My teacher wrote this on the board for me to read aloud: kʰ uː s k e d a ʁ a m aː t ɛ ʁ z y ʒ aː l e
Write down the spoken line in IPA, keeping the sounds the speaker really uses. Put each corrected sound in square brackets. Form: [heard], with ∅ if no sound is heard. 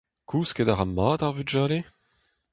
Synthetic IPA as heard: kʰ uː s k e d a ʁ a m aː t [a] ʁ [v] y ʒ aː l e